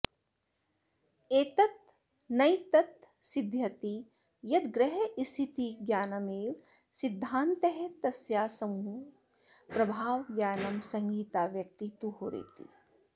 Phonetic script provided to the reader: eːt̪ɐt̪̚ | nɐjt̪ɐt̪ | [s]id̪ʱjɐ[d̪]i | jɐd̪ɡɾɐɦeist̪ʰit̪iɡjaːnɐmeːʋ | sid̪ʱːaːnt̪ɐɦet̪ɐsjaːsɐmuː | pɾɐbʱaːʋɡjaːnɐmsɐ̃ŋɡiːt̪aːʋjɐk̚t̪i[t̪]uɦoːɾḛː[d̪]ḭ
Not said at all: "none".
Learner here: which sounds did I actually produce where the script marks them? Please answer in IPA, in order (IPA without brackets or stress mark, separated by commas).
s, t̪, t̪, t̪